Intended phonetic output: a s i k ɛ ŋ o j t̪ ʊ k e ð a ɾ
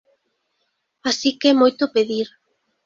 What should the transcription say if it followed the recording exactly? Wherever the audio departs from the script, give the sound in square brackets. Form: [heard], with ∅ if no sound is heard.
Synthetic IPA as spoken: a s i k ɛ [m] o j t̪ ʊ [p] e ð [i] ɾ